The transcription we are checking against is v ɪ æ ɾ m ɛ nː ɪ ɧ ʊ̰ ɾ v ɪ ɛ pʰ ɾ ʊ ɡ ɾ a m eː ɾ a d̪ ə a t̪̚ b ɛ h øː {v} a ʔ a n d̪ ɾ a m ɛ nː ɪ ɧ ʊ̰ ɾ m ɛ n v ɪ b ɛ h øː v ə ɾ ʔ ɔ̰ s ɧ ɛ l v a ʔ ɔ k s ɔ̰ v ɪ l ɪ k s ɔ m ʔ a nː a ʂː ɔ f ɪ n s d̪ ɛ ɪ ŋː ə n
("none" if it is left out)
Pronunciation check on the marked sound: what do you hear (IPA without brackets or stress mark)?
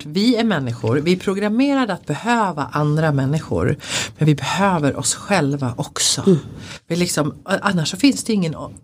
v